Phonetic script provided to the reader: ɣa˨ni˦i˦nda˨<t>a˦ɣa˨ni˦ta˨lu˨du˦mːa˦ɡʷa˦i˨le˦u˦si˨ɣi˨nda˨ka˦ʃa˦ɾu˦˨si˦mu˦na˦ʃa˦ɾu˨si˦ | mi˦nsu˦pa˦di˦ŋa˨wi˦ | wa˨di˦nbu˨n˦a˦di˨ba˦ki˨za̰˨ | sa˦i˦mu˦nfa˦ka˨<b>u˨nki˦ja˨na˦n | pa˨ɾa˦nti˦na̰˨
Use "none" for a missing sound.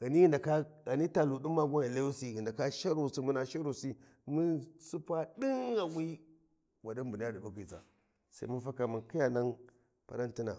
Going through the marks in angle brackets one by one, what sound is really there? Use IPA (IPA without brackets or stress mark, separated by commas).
k, m